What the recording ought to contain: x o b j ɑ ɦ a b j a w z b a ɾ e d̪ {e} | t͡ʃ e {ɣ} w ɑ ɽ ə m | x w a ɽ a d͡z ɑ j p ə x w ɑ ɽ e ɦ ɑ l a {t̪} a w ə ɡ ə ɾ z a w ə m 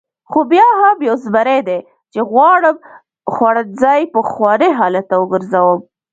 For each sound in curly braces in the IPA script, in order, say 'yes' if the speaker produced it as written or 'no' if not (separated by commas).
yes, yes, yes